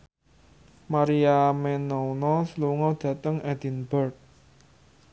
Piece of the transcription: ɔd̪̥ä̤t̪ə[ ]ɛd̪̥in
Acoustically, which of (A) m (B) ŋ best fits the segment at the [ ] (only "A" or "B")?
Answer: B